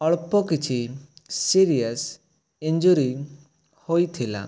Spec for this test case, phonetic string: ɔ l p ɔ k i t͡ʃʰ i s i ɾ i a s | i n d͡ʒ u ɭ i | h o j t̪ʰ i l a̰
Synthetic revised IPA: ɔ ɭ p ɔ k i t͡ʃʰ i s i ɾ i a s | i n d͡ʒ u ɾ i | h o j t̪ʰ i l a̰